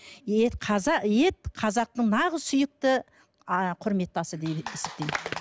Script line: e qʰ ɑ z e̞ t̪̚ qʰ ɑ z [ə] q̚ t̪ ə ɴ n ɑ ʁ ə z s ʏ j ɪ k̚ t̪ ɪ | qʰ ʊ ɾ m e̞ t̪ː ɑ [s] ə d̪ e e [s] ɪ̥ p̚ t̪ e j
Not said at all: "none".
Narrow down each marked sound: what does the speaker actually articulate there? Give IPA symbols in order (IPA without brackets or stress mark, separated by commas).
ɑ, s, s